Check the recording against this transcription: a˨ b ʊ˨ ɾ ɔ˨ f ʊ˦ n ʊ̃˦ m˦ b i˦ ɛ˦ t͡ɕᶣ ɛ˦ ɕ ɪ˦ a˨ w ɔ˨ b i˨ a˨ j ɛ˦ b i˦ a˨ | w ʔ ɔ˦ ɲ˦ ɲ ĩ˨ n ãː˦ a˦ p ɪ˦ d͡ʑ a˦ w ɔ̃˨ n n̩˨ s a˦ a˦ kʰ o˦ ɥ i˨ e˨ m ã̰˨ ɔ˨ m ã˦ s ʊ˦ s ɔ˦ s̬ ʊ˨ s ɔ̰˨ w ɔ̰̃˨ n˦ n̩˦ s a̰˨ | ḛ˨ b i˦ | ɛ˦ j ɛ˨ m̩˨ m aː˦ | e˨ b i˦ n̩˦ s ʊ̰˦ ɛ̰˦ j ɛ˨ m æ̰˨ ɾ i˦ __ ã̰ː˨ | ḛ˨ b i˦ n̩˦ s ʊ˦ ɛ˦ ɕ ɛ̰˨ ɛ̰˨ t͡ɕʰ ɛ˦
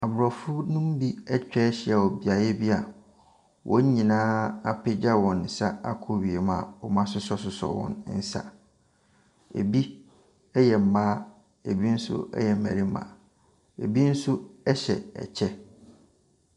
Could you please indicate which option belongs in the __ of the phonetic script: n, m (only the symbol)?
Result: m